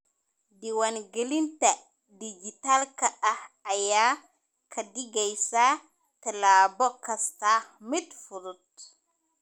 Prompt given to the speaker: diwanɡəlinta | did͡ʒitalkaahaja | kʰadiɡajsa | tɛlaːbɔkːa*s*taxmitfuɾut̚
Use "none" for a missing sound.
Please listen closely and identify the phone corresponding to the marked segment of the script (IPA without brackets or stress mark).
s